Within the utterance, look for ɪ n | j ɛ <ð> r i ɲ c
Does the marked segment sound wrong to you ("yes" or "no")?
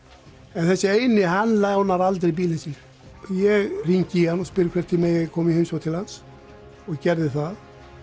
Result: yes